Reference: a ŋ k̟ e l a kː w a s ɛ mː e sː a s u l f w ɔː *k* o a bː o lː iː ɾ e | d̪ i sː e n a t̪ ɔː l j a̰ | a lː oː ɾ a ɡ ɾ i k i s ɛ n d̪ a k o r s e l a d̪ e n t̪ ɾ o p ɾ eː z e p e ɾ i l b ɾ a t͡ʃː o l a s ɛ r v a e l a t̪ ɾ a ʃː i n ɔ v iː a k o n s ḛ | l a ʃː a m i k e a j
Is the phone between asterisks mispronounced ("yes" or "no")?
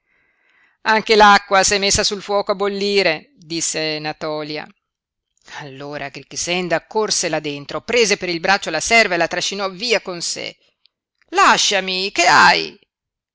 no